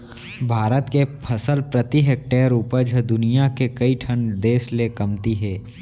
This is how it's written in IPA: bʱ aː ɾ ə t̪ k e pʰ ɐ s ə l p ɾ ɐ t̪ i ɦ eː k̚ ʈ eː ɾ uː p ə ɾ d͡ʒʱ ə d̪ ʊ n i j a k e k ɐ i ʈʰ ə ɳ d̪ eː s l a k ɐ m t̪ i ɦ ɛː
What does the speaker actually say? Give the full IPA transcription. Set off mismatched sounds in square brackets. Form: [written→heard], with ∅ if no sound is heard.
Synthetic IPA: bʱ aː ɾ ə t̪ k e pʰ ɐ s ə l p ɾ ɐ t̪ i ɦ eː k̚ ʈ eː ɾ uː p ə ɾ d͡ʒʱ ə d̪ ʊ n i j a k e k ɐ i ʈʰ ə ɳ d̪ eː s l [a→e] k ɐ m t̪ i ɦ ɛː